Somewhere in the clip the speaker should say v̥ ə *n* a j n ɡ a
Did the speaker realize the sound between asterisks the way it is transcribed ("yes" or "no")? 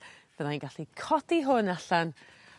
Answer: yes